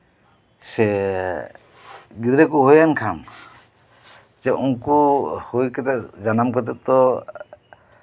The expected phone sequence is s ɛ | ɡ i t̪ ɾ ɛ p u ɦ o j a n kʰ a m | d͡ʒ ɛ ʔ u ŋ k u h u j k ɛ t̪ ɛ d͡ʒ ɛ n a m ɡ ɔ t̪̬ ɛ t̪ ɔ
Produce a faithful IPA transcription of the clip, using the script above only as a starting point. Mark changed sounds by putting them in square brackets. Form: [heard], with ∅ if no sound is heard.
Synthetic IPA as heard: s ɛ | ɡ i [d̪] ɾ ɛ [k] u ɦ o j a n kʰ a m | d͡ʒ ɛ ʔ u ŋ k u h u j k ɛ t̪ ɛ d͡ʒ [a] n a m [k] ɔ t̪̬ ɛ t̪ ɔ